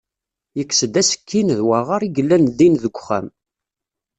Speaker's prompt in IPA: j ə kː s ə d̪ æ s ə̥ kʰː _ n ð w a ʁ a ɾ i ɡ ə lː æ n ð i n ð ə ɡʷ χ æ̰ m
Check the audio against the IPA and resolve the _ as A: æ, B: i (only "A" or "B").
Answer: B